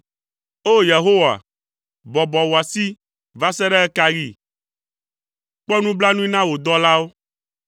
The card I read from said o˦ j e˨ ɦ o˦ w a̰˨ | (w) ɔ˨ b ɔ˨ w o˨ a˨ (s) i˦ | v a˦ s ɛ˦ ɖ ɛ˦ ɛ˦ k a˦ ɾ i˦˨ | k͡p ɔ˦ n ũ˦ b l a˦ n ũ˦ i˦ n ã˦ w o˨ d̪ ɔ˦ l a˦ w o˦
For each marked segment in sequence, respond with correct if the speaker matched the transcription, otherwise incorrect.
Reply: incorrect: b, correct

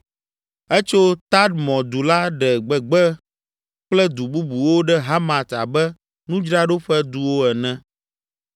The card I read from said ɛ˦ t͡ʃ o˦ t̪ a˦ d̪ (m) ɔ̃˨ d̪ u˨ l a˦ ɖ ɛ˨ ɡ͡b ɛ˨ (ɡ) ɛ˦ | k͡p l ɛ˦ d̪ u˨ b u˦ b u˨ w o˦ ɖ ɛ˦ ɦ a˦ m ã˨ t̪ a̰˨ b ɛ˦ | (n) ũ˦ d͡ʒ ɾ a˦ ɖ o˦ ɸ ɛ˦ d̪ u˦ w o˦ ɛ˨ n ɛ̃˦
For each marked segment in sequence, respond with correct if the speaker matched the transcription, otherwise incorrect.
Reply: correct, incorrect: ɡ͡b, correct

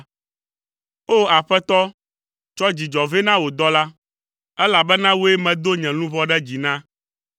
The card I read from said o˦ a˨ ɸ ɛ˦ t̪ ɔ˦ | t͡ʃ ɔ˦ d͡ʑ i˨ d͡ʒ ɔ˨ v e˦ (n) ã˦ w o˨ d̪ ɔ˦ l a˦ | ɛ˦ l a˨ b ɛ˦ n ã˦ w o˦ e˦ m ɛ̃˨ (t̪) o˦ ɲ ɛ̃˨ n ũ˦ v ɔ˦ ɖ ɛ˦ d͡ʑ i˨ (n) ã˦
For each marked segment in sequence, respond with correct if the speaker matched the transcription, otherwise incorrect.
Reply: correct, incorrect: d̪, correct

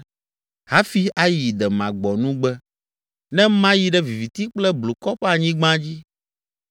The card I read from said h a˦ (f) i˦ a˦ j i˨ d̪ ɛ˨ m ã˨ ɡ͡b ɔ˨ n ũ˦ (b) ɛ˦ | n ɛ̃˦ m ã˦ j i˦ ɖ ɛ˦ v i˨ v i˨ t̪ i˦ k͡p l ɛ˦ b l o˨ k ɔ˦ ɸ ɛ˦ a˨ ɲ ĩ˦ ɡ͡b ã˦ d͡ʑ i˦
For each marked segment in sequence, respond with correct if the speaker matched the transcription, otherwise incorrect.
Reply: correct, incorrect: ɡ͡b

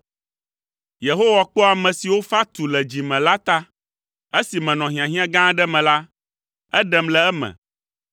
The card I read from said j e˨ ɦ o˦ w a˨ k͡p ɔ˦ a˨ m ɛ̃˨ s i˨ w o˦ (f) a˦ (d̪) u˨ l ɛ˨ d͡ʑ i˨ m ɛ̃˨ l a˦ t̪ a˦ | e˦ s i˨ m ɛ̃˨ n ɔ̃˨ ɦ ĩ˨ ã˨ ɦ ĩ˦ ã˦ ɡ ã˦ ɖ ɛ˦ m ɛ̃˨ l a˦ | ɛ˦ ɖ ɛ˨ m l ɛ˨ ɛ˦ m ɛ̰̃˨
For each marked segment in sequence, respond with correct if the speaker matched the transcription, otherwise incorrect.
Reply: correct, incorrect: t̪

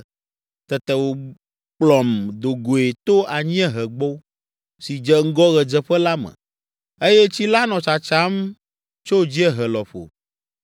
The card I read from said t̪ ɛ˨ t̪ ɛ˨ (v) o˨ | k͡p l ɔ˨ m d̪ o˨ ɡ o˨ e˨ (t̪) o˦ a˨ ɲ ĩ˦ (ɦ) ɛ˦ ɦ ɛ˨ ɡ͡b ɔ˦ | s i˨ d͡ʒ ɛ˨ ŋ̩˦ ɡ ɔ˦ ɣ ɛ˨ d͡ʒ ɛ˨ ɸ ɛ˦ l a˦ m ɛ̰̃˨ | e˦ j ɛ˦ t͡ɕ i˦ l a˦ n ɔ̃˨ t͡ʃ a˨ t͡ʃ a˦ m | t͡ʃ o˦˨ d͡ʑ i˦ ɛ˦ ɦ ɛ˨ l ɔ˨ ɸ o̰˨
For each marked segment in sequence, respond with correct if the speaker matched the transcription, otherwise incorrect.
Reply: incorrect: w, correct, incorrect: none

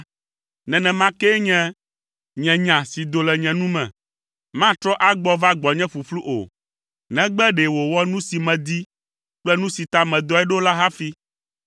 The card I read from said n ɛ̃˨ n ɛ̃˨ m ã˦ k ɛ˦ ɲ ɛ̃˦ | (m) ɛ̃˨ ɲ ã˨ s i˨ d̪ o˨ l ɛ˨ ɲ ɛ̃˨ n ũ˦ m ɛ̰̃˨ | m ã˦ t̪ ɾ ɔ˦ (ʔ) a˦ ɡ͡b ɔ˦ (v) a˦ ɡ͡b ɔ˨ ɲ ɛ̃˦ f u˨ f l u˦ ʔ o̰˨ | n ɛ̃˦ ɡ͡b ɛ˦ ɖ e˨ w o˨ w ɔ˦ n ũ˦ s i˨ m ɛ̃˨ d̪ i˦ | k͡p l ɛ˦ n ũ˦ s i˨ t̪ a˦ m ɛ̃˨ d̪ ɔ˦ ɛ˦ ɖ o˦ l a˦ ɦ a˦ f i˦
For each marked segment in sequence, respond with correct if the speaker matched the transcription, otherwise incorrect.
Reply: incorrect: ɲ, correct, correct

